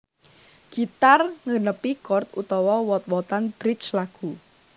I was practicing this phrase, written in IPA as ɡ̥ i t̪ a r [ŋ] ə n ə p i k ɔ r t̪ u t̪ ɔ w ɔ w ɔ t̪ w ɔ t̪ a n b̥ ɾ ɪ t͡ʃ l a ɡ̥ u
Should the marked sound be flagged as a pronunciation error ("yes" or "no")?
no